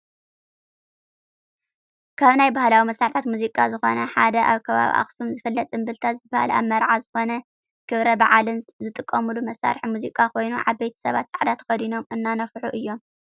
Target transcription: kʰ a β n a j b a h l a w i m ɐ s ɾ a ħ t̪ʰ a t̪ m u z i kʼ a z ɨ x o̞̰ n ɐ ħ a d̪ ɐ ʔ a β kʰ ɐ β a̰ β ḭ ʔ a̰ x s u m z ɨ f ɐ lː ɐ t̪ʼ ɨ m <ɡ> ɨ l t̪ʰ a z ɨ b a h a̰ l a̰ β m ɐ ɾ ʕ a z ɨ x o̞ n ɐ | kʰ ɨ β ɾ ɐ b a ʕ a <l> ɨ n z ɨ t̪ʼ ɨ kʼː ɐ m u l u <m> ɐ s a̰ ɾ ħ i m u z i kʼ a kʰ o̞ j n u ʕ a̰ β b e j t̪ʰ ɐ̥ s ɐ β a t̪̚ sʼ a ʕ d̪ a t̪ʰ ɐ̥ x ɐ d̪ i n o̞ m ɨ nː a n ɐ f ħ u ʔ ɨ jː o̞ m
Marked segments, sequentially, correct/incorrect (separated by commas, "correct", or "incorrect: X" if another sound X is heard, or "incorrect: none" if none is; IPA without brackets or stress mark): incorrect: b, correct, correct